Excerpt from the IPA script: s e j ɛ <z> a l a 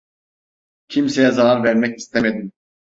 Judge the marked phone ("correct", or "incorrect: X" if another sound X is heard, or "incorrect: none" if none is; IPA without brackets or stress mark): correct